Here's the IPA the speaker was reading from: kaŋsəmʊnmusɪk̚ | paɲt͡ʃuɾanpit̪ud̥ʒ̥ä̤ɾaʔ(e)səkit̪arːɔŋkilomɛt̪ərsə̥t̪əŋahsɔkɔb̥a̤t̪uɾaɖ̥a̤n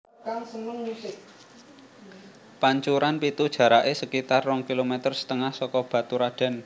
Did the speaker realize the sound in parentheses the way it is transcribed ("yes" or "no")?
yes